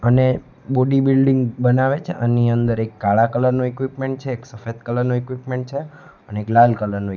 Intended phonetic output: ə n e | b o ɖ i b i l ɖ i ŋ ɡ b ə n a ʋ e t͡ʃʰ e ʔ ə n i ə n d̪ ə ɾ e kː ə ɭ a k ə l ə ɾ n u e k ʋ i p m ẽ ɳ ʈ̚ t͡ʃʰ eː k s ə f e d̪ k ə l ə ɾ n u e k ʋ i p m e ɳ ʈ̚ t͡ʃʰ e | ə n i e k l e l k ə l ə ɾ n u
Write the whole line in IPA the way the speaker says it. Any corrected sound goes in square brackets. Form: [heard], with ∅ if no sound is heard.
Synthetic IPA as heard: ə n e | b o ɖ i b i l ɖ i ŋ ɡ b ə n a ʋ e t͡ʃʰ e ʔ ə n i ə n d̪ ə ɾ e kː [a] ɭ a k ə l ə ɾ n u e k ʋ i p m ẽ ɳ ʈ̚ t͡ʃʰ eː k s ə f e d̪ k ə l ə ɾ n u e k ʋ i p m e ɳ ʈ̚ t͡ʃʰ e | ə n [e] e k l [a] l k ə l ə ɾ n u